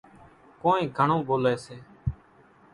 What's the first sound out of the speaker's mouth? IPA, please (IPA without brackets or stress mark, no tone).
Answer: k